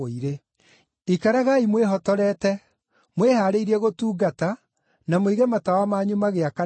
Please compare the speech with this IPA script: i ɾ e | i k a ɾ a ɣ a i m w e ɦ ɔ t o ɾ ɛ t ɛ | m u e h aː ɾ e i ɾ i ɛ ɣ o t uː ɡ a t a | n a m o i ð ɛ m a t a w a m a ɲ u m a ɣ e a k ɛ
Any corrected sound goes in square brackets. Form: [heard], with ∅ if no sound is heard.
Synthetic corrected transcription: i ɾ e | i k a ɾ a ɣ a i m w e ɦ ɔ t [ɔ] ɾ ɛ t ɛ | m [w] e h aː ɾ e i ɾ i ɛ ɣ o t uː ɡ a t a | n a m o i [ɣ] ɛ m a t a w a m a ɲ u m a ɣ e a k [a]